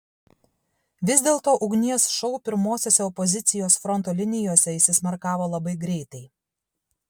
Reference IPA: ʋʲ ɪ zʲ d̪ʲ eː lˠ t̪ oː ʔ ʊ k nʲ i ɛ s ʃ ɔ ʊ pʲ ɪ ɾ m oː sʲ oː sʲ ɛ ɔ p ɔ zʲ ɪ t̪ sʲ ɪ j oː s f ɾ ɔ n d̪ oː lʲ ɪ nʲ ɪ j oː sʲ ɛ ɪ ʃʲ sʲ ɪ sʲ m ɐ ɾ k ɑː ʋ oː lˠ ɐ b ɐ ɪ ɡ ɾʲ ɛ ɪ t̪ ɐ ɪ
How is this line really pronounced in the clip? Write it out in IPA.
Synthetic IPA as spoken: ʋʲ ɪ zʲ d̪ʲ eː lˠ t̪ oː ʔ ʊ ɡ nʲ i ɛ s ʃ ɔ ʊ pʲ ɪ ɾ m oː sʲ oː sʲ ɛ ɔ p ɔ zʲ ɪ t̪ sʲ ɪ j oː s f ɾ ɔ n t̪ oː lʲ ɪ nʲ ɪ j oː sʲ ɛ ɪ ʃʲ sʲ ɪ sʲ m ɐ ɾ k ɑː ʋ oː lˠ ɐ b ɐ ɪ ɡ ɾʲ ɛ ɪ t̪ ɐ ɪ